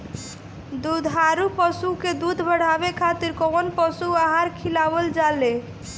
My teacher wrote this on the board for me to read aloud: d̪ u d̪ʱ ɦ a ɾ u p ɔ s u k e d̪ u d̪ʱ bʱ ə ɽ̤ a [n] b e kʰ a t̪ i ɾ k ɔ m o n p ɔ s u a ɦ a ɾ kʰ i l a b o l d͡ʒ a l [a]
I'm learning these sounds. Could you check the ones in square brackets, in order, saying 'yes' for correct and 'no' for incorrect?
no, no

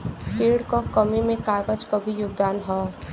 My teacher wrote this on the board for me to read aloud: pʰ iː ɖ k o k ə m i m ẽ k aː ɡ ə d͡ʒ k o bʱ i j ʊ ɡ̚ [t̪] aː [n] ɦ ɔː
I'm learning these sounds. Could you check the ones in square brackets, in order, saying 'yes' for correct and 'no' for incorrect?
no, yes

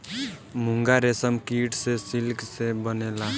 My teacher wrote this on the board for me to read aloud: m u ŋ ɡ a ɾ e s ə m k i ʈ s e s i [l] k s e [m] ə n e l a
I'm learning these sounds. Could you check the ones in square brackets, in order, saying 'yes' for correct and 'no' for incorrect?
yes, no

